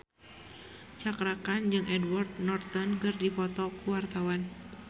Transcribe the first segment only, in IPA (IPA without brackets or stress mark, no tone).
t͡ʃ